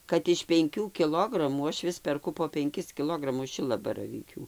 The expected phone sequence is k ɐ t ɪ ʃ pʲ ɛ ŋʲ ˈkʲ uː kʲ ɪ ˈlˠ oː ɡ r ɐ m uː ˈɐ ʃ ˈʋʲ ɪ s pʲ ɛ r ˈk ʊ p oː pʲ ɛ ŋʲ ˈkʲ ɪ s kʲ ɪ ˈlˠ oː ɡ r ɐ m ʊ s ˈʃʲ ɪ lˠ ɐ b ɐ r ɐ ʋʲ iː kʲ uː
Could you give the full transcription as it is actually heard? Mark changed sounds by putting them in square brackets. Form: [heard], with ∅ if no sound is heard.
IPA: k ɐ t ɪ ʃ pʲ ɛ ŋʲ ˈkʲ uː kʲ ɪ ˈlˠ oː ɡ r ɐ m uː ˈɐ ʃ ˈʋʲ ɪ s pʲ ɛ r ˈk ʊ p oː pʲ ɛ ŋʲ ˈkʲ ɪ s kʲ ɪ ˈlˠ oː ɡ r ɐ m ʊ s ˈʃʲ ɪ lˠ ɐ b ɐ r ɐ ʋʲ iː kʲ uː